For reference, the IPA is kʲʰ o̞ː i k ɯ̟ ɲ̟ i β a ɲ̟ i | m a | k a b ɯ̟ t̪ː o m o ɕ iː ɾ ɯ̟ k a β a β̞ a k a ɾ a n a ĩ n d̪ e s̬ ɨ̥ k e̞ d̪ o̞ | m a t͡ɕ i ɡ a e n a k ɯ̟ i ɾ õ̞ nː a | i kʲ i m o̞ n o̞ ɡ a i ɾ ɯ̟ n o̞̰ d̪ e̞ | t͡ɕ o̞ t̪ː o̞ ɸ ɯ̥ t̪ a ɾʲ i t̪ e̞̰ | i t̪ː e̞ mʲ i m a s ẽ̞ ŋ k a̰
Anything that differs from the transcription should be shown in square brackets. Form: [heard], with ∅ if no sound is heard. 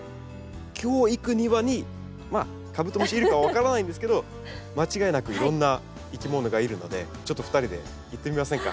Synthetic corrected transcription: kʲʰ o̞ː i k ɯ̟ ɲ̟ i β a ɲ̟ i | m a | k a b ɯ̟ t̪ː o m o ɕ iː ɾ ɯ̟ k a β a β̞ a k a ɾ a n a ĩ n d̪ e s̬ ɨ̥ k e̞ d̪ o̞ | m a t͡ɕ i ɡ a e n a k ɯ̟ i ɾ õ̞ nː a | i kʲ i m o̞ n o̞ ɡ a i ɾ ɯ̟ n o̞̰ d̪ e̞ | t͡ɕ o̞ t̪ː o̞ ɸ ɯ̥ t̪ a ɾʲ i [d̪] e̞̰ | i t̪ː e̞ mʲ i m a s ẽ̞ ŋ k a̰